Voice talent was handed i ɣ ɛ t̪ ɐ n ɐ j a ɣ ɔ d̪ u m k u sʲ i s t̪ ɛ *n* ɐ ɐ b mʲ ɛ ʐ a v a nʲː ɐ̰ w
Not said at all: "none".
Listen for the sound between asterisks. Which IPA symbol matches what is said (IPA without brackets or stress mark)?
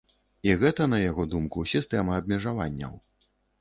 m